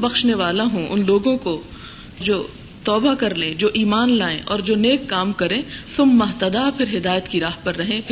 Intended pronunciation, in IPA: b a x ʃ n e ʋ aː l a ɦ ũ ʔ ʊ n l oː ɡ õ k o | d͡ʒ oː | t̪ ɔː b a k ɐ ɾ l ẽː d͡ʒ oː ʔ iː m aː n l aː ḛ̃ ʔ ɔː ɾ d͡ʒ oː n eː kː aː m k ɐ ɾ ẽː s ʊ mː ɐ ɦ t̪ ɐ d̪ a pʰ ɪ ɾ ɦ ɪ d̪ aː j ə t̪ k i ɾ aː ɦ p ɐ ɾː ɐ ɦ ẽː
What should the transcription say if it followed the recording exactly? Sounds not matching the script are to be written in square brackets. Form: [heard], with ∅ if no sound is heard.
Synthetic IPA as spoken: b [ɐ] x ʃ n e ʋ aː l a ɦ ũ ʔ ʊ n l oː ɡ õ k o | d͡ʒ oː | t̪ ɔː b a k ɐ ɾ l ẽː d͡ʒ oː ʔ iː m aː n l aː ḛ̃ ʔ ɔː ɾ d͡ʒ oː n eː kː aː m k ɐ ɾ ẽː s ʊ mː ɐ ɦ t̪ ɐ d̪ a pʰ ɪ ɾ ɦ ɪ d̪ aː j ə t̪ k i ɾ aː ɦ p ɐ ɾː ɐ ɦ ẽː